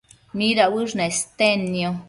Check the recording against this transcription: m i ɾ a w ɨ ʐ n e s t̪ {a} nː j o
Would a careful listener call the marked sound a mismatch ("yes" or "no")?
yes